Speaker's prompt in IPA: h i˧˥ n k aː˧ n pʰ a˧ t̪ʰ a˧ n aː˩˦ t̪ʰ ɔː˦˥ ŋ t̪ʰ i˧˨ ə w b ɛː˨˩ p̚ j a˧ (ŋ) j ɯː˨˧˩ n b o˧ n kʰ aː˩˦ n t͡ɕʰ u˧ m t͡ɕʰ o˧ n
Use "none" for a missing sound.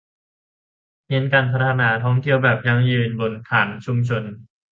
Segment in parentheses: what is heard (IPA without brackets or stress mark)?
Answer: ŋ